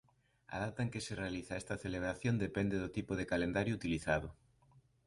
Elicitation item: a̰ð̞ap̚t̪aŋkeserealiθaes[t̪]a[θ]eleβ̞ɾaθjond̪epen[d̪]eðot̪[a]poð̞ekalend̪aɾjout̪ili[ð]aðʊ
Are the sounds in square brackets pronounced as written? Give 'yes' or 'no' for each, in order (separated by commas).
yes, yes, yes, no, no